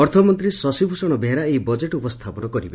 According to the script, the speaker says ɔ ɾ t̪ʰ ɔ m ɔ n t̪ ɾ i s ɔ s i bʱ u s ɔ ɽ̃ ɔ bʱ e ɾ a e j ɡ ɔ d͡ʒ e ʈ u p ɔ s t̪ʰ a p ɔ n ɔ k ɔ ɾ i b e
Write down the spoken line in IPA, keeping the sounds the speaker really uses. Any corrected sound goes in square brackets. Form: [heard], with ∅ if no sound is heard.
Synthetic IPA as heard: ɔ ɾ t̪ʰ ɔ m ɔ n t̪ ɾ i s ɔ s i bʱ u s ɔ ɽ̃ ɔ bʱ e ɾ a e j [b] ɔ d͡ʒ e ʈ u p ɔ s t̪ʰ a p ɔ n ɔ k ɔ ɾ i b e